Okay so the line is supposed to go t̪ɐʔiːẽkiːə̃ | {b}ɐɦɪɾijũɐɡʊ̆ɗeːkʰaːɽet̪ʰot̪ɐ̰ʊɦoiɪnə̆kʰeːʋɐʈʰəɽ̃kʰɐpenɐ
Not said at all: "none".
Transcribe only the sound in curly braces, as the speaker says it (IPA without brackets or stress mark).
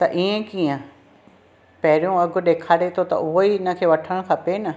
p